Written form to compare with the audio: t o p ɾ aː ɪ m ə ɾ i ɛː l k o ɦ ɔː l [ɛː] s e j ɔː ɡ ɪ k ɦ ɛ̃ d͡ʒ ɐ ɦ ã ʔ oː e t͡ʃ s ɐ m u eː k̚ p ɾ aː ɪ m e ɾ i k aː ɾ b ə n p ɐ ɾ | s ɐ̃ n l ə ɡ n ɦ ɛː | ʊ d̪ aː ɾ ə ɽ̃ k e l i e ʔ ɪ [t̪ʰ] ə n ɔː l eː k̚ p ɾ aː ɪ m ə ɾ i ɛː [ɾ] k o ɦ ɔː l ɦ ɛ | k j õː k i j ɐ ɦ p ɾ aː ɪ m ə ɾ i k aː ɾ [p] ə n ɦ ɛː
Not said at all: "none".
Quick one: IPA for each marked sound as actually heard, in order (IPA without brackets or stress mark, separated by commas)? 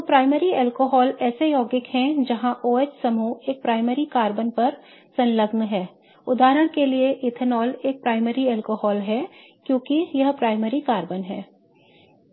ɛː, t̪ʰ, l, b